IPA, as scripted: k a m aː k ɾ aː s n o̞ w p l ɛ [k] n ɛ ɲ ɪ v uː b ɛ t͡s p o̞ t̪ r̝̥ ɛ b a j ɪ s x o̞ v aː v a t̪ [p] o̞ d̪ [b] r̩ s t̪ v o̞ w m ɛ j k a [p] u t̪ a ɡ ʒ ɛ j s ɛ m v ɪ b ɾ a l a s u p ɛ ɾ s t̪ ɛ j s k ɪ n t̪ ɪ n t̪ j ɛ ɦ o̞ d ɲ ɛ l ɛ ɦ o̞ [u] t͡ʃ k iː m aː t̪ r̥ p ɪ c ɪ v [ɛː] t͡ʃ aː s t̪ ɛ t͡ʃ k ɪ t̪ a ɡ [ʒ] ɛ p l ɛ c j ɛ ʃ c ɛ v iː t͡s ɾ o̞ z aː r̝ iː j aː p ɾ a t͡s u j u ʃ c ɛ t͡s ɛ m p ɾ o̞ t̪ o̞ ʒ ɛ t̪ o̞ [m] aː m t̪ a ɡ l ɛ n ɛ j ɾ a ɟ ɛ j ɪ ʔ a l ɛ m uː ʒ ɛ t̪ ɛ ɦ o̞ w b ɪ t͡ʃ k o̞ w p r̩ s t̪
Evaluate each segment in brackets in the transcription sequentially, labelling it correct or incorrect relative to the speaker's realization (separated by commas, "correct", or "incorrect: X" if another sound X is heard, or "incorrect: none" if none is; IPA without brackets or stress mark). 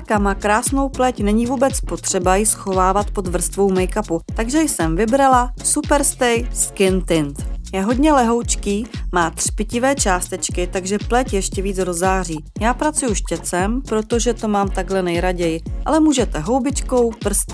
incorrect: c, correct, incorrect: v, correct, incorrect: w, correct, correct, correct